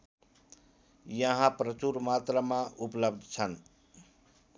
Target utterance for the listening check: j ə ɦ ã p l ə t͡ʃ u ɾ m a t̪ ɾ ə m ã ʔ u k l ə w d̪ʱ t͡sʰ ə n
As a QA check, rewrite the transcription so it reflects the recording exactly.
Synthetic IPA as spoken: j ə ɦ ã p ɾ ə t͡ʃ u ɾ m a t̪ ɾ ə m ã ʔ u p l ə b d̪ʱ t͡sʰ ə n